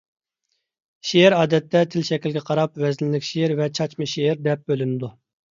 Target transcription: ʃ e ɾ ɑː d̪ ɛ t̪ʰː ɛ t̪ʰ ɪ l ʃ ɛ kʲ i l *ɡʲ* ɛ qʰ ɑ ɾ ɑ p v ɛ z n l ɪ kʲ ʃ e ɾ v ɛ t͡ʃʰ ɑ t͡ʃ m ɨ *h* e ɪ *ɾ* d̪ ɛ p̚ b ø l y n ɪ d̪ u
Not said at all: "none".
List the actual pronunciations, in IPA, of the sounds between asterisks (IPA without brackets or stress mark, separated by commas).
ɡʲ, ʃ, ɾ